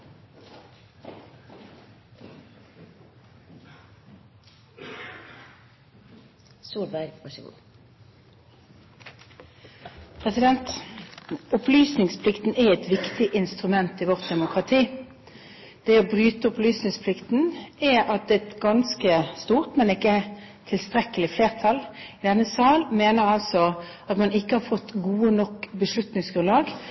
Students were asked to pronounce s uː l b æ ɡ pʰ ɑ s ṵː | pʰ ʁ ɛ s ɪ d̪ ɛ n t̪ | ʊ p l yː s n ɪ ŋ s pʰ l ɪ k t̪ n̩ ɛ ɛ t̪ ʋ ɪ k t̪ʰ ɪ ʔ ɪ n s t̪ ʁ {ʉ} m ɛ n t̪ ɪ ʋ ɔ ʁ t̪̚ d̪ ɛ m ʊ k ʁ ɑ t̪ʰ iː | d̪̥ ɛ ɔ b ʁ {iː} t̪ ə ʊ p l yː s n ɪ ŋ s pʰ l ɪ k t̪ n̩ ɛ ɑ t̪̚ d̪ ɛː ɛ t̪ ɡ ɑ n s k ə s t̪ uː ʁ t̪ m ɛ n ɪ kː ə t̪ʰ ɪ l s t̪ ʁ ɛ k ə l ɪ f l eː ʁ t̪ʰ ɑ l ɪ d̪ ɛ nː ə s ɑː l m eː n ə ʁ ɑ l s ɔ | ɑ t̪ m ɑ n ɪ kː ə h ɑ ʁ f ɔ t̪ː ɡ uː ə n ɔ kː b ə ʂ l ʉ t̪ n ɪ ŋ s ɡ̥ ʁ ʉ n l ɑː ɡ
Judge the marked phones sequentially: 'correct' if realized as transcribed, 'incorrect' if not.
correct, incorrect: yː

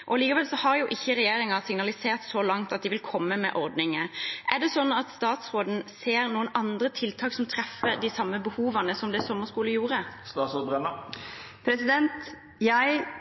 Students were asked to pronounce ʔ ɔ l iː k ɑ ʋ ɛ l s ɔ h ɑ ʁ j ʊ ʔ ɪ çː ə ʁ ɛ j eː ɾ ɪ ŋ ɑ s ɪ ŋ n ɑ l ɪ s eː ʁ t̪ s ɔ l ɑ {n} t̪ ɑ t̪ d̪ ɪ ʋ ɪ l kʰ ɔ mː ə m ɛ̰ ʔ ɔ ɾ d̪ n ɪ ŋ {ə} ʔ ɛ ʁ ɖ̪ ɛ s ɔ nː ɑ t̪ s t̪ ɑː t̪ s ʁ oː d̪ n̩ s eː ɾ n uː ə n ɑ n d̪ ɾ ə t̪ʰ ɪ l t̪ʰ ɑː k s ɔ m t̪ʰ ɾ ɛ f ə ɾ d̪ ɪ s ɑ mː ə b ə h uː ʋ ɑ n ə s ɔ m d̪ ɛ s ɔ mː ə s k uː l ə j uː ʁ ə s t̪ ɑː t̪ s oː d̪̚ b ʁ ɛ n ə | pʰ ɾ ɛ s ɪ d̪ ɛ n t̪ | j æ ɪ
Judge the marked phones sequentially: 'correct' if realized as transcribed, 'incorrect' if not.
incorrect: ŋ, correct

